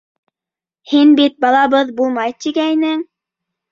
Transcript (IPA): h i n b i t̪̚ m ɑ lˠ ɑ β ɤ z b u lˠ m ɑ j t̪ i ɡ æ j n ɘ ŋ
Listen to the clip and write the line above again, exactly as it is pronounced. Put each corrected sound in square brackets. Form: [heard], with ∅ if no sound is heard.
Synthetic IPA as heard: h i n b i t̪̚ [b] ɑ lˠ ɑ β ɤ [ð] b u lˠ m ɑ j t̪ i ɡ æ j n ɘ ŋ